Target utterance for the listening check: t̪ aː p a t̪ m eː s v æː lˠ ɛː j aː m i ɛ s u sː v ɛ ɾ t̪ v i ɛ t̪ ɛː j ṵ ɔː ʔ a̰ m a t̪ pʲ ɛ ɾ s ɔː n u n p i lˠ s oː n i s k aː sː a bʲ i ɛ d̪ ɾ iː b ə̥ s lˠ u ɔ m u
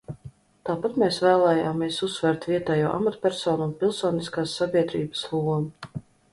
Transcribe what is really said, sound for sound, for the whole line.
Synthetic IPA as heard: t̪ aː p a t̪ m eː s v æː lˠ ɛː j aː m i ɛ s u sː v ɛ ɾ t̪ v i ɛ t̪ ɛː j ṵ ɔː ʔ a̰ m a t̪ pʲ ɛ ɾ s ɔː n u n p i lˠ s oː n i s k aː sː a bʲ i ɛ d̪ ɾ iː b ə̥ s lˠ u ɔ m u